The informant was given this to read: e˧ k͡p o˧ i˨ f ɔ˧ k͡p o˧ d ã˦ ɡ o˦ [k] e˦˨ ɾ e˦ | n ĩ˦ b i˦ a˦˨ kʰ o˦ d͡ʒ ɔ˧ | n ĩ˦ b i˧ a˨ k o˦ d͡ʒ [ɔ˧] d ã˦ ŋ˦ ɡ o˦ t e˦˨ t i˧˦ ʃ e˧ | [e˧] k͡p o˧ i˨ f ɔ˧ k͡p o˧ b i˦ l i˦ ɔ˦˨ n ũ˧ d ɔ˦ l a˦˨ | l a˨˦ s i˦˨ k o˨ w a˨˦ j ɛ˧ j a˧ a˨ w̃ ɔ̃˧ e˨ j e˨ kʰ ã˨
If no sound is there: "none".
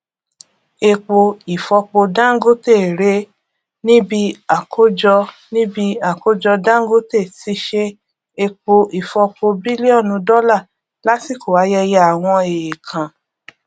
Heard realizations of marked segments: t, ɔ˧, e˧

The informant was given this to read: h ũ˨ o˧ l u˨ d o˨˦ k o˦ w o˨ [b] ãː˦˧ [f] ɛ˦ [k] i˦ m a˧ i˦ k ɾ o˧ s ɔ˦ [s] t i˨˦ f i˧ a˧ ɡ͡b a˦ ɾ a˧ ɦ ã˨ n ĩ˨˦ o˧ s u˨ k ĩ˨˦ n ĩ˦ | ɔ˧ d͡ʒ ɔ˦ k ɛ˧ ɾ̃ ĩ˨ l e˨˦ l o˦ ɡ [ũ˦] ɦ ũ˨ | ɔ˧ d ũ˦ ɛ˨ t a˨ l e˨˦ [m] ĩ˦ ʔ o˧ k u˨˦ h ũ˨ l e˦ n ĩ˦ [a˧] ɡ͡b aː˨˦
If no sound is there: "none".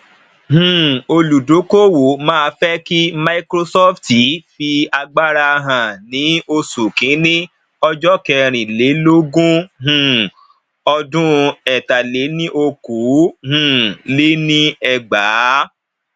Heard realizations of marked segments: m, f, k, f, ũ˦, n, ɛ˧

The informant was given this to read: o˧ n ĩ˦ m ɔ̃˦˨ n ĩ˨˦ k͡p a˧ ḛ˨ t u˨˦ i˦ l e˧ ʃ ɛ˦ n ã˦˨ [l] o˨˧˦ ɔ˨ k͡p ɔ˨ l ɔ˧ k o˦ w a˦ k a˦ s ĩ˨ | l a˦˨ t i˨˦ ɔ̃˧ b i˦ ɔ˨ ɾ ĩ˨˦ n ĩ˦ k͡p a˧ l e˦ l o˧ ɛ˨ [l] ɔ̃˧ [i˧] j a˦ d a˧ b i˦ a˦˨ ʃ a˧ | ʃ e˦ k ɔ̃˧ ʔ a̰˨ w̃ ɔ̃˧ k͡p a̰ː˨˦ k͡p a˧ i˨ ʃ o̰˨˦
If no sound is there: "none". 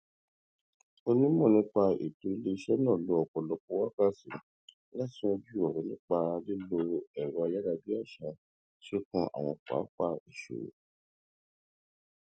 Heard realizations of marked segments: l, ɾ, a˧

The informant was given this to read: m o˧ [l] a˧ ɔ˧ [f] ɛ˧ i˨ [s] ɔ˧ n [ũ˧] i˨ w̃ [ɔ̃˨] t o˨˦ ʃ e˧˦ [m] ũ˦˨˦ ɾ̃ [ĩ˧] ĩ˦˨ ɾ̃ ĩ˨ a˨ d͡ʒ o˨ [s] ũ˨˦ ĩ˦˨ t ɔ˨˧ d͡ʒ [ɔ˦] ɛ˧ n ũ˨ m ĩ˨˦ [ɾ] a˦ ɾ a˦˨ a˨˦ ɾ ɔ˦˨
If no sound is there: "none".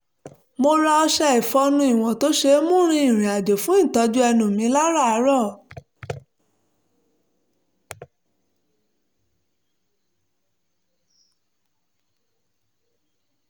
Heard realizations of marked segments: ɾ, ʃ, f, ũ˧, ɔ̃˨, m, ĩ˧, f, u˦, l

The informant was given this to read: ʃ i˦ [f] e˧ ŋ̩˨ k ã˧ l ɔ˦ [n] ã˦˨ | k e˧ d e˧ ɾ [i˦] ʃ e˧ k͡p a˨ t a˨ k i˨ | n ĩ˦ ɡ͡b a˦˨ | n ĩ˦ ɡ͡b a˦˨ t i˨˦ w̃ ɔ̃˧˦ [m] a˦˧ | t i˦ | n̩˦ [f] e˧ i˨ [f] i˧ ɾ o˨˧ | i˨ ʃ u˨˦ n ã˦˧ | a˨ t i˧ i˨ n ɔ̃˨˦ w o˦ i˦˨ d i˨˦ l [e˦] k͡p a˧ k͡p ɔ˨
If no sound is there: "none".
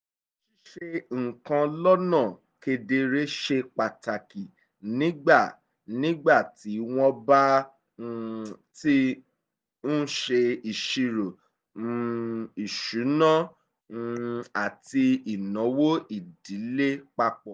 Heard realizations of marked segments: ʃ, n, e˦, b, ʃ, ʃ, e˦

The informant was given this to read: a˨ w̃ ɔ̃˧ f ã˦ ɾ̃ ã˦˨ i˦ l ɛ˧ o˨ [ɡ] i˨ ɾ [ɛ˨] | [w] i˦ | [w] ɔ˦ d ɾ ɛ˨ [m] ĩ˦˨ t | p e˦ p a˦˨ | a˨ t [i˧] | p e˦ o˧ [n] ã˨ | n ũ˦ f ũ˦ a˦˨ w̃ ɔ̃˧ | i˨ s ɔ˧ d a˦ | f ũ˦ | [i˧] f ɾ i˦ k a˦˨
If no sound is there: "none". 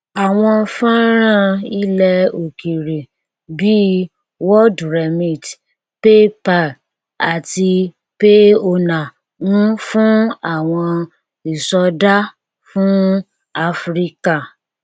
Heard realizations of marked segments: k, e˨, b, w, m, i˧, n, a˧

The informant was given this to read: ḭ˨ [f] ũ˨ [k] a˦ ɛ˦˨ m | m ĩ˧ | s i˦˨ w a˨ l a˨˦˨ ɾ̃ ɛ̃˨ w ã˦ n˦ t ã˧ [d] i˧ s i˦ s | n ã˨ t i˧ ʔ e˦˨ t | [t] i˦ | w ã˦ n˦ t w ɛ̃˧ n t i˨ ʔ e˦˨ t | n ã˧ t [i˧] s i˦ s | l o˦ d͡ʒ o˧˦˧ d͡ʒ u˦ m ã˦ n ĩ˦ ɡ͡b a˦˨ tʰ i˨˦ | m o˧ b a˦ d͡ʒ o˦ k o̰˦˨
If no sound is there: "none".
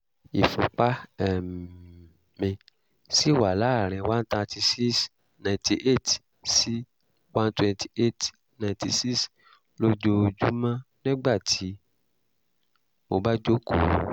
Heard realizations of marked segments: f, k͡p, t, s, i˧

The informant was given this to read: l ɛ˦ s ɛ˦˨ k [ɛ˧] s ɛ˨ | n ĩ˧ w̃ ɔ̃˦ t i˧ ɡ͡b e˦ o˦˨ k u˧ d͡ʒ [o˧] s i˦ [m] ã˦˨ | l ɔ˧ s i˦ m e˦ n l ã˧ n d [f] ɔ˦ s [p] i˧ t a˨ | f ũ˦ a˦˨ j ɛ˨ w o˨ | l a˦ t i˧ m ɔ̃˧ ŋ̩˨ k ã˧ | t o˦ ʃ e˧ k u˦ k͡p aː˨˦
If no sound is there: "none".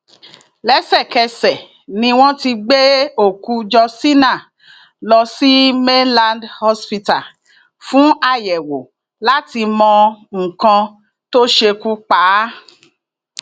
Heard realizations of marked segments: ɛ˧, ɔ˧, n, h, p

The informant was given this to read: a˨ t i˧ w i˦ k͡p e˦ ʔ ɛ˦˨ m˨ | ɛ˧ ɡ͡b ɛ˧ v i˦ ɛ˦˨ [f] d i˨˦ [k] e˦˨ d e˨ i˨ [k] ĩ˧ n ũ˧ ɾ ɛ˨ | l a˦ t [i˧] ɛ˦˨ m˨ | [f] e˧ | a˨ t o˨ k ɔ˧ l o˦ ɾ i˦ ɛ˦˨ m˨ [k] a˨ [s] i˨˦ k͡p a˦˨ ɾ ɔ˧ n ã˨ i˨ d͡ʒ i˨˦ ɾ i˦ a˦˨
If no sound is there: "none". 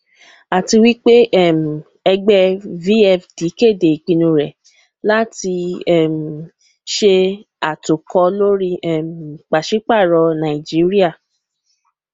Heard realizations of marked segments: f, k, k͡p, i˧, ʃ, k͡p, ʃ

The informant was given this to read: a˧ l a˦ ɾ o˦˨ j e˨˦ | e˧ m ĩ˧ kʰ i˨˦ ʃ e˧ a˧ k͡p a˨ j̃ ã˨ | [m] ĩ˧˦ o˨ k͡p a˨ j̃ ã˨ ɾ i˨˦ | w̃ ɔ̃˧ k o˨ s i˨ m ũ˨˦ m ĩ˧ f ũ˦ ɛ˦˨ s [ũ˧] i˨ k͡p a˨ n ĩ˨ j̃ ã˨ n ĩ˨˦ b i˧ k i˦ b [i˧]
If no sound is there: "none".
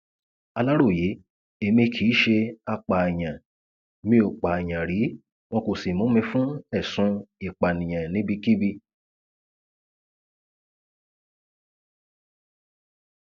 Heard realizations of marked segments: m, ũ˧, i˧

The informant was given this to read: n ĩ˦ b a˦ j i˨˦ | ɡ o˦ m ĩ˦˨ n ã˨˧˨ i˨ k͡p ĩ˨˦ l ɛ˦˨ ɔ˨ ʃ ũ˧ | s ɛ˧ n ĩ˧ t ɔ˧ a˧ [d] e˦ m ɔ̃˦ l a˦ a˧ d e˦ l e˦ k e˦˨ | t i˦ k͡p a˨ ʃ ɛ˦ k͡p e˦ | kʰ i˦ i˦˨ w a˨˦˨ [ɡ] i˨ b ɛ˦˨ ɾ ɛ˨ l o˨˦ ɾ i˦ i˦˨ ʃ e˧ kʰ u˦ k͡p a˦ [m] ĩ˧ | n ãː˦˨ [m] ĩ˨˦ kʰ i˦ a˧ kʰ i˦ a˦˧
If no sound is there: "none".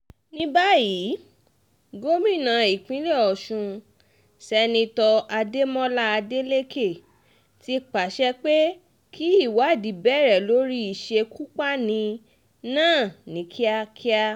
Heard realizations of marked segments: d, d, n, n

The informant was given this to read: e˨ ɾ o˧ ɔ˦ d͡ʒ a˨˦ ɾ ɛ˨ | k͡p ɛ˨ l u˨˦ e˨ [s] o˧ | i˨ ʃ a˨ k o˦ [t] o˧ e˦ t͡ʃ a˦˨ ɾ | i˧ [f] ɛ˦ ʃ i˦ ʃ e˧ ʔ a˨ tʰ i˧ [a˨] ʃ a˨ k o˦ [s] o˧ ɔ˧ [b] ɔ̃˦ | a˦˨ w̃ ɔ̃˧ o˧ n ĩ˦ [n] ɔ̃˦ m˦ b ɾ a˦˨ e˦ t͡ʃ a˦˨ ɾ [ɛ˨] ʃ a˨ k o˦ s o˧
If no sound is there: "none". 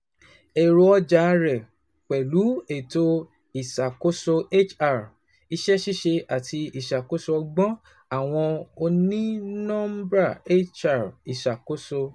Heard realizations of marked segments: t, s, ʃ, i˨, s, ɡ͡b, n, i˨

